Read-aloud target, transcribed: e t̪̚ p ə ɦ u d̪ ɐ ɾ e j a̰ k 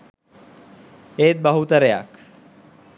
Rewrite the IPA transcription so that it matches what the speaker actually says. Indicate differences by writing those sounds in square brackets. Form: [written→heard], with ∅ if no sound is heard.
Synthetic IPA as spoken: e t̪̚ [p→b] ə ɦ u [d̪→t̪] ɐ ɾ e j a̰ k